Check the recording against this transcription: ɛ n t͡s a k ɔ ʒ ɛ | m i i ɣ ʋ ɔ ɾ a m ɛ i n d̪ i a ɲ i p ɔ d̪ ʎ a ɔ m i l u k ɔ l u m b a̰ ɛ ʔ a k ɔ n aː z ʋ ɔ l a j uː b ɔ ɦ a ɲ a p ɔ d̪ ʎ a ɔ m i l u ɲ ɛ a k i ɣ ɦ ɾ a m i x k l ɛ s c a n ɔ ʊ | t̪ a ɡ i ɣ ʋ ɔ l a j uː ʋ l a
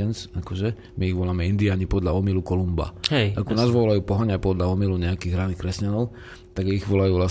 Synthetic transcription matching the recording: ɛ n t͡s a k ɔ ʒ ɛ | m i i ɣ ʋ ɔ l a m ɛ i n d̪ i a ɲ i p ɔ d̪ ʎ a ɔ m i l u k ɔ l u m b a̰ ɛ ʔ a k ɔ n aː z ʋ ɔ l a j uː p ɔ ɦ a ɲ a p ɔ d̪ ʎ a ɔ m i l u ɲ ɛ a k i ɣ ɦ ɾ a n i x k ɾ ɛ s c a n ɔ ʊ | t̪ a ɡ i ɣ ʋ ɔ l a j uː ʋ l a